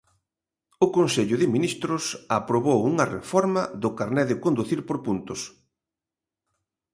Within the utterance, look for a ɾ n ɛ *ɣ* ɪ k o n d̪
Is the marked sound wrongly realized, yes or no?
yes